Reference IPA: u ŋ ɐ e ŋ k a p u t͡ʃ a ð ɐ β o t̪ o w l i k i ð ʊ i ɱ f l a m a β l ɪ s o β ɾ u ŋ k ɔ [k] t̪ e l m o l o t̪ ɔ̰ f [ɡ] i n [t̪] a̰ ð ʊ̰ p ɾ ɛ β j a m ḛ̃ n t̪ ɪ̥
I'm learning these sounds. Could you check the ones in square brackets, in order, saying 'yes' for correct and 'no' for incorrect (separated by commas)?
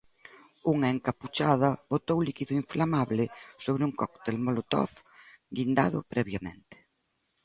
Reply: yes, yes, no